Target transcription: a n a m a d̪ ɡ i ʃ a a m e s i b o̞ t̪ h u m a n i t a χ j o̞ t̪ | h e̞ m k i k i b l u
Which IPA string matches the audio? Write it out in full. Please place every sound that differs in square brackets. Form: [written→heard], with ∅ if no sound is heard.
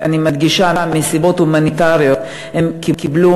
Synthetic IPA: a n [a→i] m a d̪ ɡ i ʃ a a m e s i b o̞ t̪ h u m a n i t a [χ→ʁ] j o̞ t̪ | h e̞ m k i k i b l u